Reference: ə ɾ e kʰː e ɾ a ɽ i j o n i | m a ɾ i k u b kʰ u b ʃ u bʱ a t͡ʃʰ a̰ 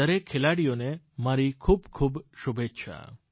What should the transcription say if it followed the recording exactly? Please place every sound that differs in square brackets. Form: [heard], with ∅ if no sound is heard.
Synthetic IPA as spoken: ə ɾ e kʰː e [l] a ɽ i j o n [e] | m a ɾ i [kʰ] u b kʰ u b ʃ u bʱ [e] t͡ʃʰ a̰